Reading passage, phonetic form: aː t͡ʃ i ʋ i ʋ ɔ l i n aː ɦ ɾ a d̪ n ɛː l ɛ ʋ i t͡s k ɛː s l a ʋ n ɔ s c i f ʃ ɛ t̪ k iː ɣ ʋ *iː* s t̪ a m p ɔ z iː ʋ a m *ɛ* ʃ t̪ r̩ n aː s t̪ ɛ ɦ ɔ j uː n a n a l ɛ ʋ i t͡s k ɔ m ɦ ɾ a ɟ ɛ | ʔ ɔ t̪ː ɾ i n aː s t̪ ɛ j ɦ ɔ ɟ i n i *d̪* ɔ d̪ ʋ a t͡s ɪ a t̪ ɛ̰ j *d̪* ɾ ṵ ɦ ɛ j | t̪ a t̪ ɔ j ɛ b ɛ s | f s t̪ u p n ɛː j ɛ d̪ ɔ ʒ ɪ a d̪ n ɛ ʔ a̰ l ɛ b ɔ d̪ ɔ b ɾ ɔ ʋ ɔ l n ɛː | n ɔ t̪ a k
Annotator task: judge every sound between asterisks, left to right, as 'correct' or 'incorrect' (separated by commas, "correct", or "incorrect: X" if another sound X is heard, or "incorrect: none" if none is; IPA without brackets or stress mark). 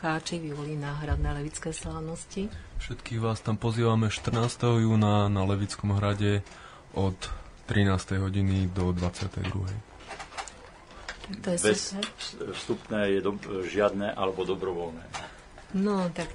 incorrect: aː, correct, correct, correct